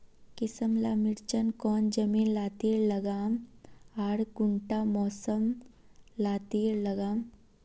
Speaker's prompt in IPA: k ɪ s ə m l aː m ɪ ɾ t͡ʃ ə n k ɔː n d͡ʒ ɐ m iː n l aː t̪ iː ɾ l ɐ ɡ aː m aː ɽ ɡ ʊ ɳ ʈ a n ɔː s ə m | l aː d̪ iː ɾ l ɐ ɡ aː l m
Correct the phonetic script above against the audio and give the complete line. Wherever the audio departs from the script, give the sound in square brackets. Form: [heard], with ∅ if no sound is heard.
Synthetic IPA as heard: k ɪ s ə m l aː m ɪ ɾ t͡ʃ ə n k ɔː n d͡ʒ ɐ m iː n l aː t̪ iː ɾ l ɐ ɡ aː m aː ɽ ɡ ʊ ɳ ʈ a [m] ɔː s ə m | l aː [t̪] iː ɾ l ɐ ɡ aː [∅] m